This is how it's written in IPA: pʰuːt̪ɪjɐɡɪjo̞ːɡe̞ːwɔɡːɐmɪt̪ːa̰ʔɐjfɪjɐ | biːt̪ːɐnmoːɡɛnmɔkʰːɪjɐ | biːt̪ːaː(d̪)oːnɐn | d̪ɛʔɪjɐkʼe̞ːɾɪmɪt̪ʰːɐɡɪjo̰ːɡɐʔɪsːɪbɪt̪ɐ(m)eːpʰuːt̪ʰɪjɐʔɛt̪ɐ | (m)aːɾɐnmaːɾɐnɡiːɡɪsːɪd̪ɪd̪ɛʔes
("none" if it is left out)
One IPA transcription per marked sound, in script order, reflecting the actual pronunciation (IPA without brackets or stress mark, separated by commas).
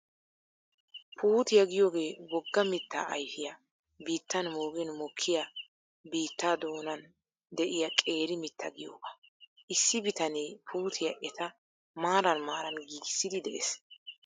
d̪, n, m